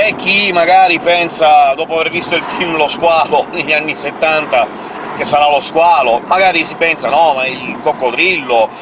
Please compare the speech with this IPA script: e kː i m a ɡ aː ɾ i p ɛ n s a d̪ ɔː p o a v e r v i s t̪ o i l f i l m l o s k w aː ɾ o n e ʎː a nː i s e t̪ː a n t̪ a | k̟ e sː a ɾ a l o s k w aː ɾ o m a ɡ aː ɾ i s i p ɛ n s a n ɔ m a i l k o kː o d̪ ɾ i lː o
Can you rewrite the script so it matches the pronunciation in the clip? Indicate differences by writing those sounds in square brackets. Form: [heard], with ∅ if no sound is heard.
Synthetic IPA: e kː i m a ɡ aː ɾ i p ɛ n s a d̪ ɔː p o a v e r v i s t̪ o i l f i l m l o s k w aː [l] o n e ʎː a nː i s e t̪ː a n t̪ a | k̟ e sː a ɾ a l o s k w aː [l] o m a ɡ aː ɾ i s i p ɛ n s a n ɔ m a i l k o kː o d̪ ɾ i lː o